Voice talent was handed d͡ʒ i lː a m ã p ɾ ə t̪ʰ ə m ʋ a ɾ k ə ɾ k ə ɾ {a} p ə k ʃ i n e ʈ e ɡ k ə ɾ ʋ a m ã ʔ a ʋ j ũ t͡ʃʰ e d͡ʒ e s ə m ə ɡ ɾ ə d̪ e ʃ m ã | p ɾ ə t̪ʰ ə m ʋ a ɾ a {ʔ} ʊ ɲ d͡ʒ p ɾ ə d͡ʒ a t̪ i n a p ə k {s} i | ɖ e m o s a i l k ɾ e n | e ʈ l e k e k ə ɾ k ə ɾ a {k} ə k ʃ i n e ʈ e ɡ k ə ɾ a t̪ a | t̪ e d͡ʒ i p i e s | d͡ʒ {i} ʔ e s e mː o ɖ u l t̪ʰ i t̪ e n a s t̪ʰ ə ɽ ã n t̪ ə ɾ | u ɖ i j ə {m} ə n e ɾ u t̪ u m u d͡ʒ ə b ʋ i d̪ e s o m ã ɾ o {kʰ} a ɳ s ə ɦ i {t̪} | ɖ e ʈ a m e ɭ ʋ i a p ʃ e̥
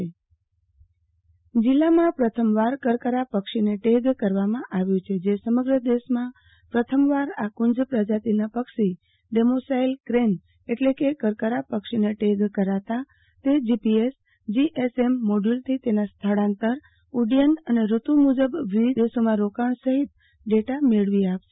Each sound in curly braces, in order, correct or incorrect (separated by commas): correct, incorrect, incorrect, incorrect, correct, incorrect, incorrect, correct